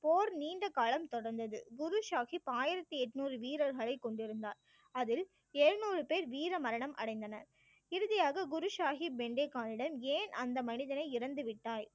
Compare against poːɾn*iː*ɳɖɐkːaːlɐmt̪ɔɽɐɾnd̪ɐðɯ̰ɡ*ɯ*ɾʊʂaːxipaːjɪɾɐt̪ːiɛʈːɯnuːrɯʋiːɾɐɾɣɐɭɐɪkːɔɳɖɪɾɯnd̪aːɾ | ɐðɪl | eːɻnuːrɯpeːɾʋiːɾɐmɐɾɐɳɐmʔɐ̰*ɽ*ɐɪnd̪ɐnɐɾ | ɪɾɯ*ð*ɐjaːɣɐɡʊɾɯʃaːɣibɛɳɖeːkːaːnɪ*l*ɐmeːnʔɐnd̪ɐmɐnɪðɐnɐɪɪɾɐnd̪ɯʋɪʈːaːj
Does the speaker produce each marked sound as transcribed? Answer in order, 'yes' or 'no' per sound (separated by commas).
yes, no, yes, yes, no